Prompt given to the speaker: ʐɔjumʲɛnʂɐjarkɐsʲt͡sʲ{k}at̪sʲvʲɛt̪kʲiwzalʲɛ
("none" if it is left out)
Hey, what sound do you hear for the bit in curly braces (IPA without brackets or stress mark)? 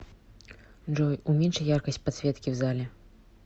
p